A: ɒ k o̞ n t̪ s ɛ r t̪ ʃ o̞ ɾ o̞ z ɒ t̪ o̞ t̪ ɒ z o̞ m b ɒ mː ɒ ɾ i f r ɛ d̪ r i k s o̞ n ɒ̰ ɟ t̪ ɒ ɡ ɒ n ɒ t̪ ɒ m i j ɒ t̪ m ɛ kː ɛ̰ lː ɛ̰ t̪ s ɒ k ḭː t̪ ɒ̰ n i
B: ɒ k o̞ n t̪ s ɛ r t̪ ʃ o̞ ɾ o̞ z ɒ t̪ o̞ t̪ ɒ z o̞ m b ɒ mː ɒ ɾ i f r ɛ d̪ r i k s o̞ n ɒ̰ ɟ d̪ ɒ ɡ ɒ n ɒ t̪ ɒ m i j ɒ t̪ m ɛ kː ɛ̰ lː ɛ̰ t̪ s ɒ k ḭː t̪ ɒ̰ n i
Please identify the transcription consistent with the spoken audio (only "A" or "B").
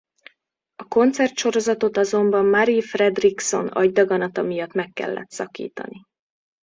B